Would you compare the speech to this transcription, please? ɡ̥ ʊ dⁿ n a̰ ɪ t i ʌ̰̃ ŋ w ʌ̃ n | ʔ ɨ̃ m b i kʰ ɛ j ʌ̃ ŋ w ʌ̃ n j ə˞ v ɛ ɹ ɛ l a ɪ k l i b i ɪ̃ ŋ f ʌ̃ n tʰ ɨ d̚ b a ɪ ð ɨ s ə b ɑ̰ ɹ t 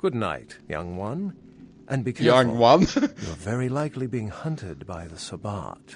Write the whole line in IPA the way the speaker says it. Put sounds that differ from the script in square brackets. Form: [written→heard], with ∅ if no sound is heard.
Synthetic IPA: ɡ̥ ʊ dⁿ n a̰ ɪ t [i→j] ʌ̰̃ ŋ w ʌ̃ n | ʔ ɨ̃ [m→n] b i kʰ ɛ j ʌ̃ ŋ w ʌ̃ n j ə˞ v ɛ ɹ [ɛ→i] l a ɪ k l i b i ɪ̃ ŋ [f→h] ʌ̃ n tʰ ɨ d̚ b a ɪ ð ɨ s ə b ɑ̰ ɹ t